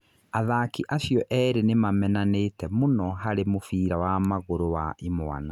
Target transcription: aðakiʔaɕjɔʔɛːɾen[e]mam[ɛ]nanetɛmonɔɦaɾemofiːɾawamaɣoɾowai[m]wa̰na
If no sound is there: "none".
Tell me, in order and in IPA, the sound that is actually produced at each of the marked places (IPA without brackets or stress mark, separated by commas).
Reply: e, ɛ, m